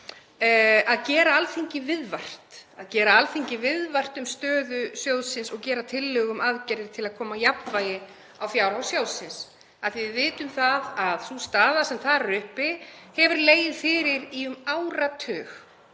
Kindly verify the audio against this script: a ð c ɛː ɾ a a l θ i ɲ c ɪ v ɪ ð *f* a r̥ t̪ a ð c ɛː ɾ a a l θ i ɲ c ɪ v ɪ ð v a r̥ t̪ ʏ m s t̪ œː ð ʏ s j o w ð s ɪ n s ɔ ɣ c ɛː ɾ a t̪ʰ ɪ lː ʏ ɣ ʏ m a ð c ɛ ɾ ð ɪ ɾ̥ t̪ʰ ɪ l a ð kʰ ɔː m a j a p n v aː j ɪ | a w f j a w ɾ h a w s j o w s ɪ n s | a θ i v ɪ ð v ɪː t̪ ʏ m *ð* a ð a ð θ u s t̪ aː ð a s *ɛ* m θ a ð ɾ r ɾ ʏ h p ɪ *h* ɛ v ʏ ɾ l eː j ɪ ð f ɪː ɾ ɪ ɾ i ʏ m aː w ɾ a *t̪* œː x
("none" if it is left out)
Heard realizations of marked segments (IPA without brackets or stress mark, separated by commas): v, θ, ɛ, h, t̪ʰ